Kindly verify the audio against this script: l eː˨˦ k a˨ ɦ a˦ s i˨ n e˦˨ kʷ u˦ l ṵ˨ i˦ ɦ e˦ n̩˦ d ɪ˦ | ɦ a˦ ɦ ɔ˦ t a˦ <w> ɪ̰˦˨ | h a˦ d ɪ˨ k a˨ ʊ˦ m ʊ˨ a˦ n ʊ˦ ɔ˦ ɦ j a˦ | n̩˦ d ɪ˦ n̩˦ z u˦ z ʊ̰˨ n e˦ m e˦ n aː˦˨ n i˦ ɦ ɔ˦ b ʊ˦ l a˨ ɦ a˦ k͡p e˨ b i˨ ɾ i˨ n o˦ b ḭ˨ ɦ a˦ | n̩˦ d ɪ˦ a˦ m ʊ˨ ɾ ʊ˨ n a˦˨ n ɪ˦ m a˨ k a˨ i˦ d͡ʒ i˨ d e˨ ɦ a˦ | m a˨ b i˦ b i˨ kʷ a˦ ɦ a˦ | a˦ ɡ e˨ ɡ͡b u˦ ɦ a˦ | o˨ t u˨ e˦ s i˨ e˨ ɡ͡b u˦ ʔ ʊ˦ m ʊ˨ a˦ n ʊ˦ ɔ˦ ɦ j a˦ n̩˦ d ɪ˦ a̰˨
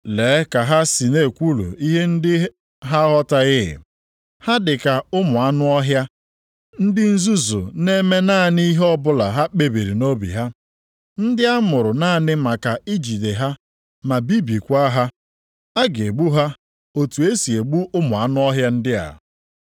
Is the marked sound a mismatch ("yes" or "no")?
yes